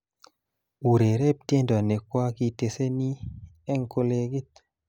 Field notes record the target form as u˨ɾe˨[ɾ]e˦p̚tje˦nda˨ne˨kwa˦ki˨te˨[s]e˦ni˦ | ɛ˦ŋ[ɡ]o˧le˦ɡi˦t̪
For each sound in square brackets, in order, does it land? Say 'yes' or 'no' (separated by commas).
yes, yes, no